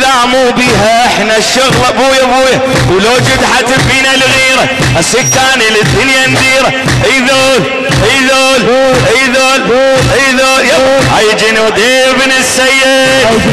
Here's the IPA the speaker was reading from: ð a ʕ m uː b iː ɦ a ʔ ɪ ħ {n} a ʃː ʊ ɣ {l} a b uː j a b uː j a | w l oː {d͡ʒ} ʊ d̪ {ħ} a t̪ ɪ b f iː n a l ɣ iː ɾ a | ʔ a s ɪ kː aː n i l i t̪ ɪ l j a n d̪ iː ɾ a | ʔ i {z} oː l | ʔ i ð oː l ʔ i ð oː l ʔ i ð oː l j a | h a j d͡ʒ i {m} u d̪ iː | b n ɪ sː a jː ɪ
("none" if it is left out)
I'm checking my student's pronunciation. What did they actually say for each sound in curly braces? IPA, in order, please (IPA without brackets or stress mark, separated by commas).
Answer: n, l, d͡ʒ, ħ, ð, n